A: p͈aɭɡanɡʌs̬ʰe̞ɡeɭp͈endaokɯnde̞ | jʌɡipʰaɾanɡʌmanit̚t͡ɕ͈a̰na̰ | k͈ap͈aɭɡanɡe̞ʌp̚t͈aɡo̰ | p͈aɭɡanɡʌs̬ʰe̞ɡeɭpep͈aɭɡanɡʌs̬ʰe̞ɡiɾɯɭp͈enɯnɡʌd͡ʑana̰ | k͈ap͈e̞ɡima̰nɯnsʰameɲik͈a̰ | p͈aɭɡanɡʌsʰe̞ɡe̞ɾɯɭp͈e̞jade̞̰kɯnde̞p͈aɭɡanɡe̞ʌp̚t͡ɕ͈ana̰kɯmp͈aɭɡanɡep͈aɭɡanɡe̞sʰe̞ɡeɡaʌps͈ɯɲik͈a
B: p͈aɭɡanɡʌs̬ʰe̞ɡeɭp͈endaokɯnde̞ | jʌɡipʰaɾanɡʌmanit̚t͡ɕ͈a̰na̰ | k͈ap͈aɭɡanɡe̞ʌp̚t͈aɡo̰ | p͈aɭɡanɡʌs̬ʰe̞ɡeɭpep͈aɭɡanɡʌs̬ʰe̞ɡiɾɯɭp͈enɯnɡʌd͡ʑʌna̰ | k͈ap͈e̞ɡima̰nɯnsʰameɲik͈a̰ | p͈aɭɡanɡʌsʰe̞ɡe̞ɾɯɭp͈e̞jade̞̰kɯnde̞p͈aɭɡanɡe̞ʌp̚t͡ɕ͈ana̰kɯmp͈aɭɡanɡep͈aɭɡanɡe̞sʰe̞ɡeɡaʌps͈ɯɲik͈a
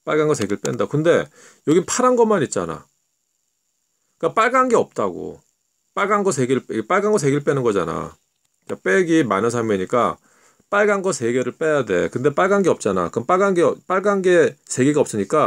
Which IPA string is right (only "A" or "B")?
A